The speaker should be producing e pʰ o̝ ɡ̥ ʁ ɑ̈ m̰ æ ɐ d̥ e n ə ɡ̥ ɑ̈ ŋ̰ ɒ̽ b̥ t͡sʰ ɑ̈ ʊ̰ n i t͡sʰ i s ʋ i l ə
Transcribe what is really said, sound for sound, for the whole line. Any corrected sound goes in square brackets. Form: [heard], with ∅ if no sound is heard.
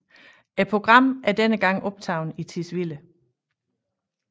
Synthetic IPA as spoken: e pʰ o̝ ɡ̥ ʁ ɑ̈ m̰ æ ɐ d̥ e n ə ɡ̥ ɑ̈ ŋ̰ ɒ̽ b̥ t͡sʰ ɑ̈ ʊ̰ n i t͡sʰ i s ʋ i l ə